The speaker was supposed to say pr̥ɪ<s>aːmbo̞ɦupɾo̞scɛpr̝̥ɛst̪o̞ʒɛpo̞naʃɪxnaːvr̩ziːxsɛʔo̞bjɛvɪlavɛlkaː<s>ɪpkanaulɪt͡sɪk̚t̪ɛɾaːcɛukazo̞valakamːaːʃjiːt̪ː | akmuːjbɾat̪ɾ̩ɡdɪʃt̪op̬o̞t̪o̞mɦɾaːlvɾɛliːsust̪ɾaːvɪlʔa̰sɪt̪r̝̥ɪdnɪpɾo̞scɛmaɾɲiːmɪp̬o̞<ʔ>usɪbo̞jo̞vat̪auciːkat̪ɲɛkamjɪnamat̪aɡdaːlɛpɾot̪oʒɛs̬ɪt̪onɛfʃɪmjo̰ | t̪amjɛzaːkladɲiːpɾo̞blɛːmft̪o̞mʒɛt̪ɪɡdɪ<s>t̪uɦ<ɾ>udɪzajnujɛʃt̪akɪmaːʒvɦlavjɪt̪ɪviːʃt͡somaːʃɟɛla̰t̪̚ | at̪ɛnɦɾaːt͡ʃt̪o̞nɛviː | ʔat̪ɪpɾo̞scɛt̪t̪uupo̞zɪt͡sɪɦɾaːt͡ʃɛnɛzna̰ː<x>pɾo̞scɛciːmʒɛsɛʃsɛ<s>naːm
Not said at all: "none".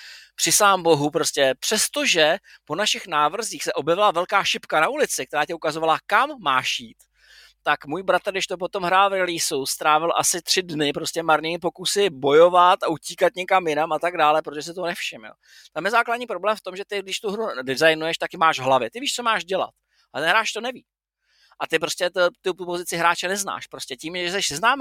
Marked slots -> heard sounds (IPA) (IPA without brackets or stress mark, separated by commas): s, ʃ, k, ʃ, ɾ, ʃ, z